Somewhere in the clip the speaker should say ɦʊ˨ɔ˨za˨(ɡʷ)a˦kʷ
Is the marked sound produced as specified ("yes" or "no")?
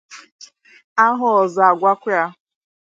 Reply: yes